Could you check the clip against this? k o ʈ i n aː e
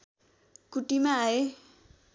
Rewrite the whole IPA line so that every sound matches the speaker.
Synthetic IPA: k u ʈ i m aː e